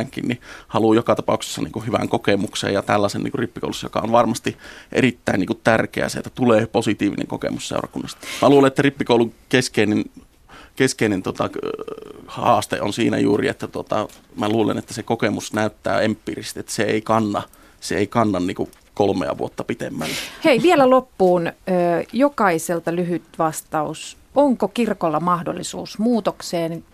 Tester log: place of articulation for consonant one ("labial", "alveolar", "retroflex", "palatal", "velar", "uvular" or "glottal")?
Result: velar